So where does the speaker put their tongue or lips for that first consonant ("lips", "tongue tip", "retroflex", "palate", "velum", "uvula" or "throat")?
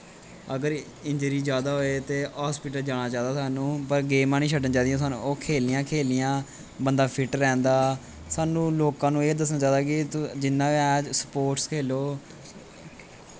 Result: velum